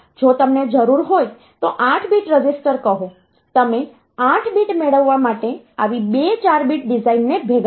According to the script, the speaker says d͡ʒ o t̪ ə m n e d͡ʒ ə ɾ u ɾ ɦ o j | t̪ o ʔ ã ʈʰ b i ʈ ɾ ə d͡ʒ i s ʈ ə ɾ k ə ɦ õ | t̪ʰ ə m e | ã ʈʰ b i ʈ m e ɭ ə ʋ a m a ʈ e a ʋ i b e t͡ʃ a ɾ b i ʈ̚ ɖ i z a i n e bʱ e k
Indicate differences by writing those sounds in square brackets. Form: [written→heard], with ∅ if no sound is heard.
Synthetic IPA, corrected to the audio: d͡ʒ o t̪ ə m n e d͡ʒ ə ɾ u ɾ ɦ o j | t̪ o ʔ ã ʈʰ b i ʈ ɾ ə d͡ʒ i s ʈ ə ɾ k ə ɦ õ | [t̪ʰ→t̪] ə m e | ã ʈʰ b i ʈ m e ɭ ə [ʋ→ʋː] a m a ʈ e a ʋ i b e t͡ʃ a ɾ b i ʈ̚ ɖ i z a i [n→nː] e bʱ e [k→ɡ]